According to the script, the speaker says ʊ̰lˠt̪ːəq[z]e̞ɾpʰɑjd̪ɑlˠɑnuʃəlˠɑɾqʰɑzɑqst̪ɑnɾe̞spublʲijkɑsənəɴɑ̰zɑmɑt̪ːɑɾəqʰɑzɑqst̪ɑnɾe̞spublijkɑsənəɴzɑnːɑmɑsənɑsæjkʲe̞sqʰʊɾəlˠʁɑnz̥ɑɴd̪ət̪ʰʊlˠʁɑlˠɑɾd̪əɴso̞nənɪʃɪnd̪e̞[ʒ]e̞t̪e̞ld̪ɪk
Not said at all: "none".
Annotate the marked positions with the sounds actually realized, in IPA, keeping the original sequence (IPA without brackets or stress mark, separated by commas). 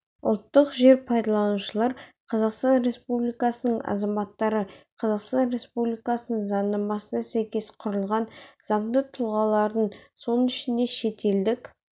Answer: ʒ, ʃ